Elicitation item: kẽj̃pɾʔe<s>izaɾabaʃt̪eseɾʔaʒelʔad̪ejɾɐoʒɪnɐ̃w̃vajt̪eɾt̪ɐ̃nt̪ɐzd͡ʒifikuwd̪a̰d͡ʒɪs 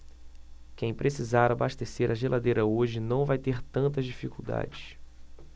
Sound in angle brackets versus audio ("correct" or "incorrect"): correct